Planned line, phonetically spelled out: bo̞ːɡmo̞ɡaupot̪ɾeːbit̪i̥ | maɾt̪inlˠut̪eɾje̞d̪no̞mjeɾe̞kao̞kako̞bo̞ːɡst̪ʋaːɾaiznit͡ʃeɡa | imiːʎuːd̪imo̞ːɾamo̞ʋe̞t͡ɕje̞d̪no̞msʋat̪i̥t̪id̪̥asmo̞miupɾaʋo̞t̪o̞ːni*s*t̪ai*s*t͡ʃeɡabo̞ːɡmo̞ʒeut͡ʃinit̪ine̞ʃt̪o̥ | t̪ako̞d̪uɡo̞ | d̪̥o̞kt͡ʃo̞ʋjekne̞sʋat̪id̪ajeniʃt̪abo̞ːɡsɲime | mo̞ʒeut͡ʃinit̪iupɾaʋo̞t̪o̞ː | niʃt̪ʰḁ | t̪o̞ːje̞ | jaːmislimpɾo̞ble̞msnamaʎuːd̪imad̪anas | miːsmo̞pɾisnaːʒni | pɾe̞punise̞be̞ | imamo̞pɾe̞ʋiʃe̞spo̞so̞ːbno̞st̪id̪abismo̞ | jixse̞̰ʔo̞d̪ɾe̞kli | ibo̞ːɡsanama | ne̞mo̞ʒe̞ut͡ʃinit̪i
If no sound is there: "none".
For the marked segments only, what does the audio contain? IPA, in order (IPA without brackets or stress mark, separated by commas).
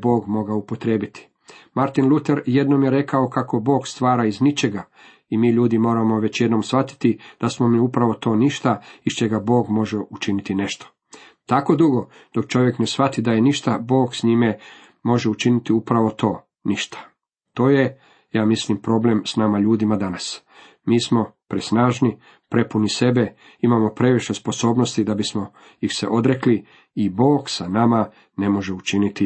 ʃ, ʃ